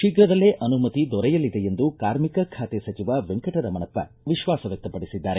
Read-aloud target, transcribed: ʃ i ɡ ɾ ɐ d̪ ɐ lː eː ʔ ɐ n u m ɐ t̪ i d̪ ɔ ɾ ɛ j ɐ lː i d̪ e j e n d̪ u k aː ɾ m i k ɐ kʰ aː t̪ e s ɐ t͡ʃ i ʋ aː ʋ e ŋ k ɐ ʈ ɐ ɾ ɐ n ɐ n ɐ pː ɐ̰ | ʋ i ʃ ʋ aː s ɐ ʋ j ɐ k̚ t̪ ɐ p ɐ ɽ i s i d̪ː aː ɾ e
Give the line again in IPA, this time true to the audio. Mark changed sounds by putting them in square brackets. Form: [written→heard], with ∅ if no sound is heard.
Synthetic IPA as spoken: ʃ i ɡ ɾ ɐ d̪ ɐ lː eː ʔ ɐ n u m ɐ t̪ i d̪ ɔ ɾ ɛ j ɐ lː i d̪ e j e n d̪ u k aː ɾ m i k ɐ kʰ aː t̪ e s ɐ t͡ʃ i ʋ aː ʋ e ŋ k ɐ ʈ ɐ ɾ ɐ [n→m] ɐ n ɐ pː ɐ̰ | ʋ i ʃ ʋ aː s ɐ ʋ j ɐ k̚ t̪ ɐ p ɐ ɽ i s i d̪ː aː ɾ e